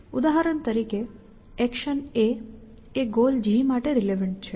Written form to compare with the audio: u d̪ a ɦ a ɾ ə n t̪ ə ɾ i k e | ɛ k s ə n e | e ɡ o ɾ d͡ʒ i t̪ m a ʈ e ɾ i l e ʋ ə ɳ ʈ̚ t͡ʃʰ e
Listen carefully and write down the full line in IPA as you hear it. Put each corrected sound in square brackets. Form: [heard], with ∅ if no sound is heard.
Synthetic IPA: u d̪ a ɦ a ɾ ə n t̪ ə ɾ i k e | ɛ k [ʃ] ə n e | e ɡ o [l] d͡ʒ i [∅] m a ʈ e ɾ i l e ʋ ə ɳ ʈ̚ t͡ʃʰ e